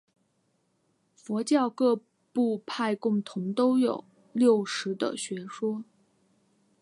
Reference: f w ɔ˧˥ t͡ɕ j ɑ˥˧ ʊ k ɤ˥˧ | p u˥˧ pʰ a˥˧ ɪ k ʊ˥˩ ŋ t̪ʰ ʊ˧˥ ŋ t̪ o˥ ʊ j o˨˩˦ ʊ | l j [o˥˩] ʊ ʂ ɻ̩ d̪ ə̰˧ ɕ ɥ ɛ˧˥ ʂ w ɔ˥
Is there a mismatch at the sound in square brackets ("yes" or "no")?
no